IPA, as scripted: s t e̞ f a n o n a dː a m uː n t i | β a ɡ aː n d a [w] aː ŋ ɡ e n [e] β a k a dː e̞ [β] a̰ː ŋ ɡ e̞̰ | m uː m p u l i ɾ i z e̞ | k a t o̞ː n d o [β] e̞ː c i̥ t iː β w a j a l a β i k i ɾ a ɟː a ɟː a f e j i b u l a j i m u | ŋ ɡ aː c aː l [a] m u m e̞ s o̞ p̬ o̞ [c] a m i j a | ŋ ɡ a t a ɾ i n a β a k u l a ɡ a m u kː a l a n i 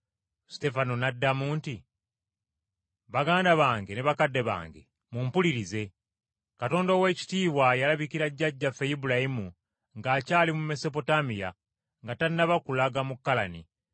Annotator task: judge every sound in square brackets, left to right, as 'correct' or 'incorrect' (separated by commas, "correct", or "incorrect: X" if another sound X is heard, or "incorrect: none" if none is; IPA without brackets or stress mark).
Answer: incorrect: β, correct, correct, incorrect: w, incorrect: i, incorrect: t